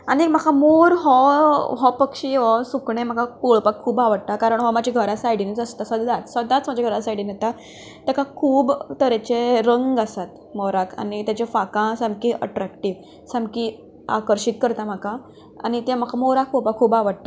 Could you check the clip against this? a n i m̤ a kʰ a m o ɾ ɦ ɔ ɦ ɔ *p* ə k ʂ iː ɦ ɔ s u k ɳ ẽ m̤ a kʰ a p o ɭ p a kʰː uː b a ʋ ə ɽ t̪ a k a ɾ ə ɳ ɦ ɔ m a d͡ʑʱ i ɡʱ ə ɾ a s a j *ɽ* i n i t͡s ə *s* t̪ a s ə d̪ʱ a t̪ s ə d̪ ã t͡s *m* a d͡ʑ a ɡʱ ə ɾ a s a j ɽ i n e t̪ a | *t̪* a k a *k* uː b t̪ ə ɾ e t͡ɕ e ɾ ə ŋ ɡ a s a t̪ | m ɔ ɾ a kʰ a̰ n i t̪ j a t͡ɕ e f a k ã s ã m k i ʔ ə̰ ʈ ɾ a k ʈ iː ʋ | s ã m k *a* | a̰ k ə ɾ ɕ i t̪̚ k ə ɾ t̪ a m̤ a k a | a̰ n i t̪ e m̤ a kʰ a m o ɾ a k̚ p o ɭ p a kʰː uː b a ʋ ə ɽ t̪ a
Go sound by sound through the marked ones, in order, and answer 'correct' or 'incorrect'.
correct, correct, correct, correct, correct, incorrect: kʰ, incorrect: i

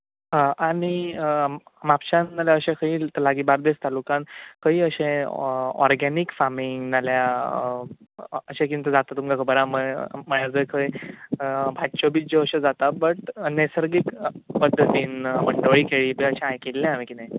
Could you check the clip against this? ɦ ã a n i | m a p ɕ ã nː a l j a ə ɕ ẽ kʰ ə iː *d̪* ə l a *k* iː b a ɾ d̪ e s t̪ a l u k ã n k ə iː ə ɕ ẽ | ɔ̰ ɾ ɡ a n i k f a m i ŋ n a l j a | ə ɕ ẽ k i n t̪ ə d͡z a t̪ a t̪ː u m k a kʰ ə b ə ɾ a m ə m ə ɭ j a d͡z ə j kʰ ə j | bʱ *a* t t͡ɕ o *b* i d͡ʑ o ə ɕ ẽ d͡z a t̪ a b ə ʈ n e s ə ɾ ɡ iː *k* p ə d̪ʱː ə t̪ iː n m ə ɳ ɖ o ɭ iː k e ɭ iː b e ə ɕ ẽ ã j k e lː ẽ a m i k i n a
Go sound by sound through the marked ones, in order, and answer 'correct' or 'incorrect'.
incorrect: t̪, incorrect: ɡ, correct, correct, correct

